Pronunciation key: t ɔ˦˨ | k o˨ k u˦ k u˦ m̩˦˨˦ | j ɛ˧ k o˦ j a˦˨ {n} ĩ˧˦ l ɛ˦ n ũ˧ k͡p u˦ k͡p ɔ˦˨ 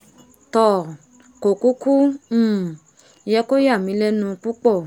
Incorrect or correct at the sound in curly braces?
incorrect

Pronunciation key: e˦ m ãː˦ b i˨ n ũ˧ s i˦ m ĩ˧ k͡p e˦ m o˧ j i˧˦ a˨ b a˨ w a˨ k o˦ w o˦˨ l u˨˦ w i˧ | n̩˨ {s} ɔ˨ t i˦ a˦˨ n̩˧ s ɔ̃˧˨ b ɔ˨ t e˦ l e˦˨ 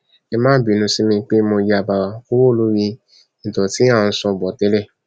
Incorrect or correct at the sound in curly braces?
incorrect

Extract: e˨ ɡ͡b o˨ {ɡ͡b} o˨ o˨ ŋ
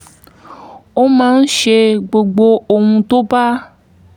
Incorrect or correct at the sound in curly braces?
correct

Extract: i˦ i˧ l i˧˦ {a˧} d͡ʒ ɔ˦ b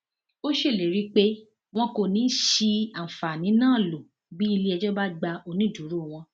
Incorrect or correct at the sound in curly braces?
incorrect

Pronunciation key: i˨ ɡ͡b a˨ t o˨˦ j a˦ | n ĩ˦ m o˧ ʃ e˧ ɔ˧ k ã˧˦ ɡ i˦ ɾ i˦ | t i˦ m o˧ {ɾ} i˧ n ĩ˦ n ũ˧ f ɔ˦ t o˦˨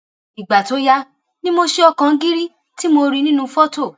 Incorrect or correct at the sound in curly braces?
correct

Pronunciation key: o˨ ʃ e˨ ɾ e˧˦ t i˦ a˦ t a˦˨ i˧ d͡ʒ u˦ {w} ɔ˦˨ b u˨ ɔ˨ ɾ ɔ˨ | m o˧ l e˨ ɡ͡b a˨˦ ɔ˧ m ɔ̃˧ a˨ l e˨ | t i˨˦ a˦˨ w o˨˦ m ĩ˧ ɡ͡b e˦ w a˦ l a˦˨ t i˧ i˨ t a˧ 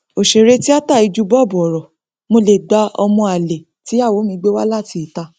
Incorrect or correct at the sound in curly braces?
incorrect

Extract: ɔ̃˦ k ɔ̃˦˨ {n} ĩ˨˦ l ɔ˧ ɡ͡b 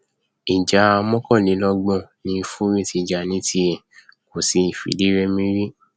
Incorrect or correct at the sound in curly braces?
correct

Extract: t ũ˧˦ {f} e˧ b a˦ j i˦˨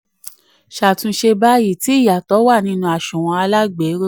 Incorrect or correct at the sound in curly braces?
incorrect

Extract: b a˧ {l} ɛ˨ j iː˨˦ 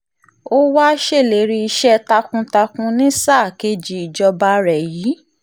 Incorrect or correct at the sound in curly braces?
incorrect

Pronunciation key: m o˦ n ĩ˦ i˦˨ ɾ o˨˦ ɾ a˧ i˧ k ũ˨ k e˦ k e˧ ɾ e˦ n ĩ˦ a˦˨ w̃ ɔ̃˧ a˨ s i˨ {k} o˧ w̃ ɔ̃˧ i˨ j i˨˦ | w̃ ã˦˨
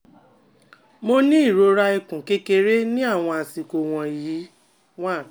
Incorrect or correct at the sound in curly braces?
correct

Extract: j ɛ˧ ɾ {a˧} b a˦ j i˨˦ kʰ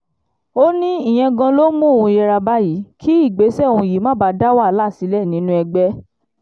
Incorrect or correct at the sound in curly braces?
correct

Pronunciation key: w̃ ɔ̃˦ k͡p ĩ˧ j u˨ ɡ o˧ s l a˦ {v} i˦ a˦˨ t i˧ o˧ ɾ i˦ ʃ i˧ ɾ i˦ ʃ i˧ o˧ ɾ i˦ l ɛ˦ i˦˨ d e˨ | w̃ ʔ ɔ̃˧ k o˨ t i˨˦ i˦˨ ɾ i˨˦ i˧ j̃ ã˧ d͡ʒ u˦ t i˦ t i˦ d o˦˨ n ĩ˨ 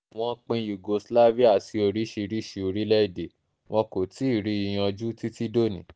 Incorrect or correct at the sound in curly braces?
correct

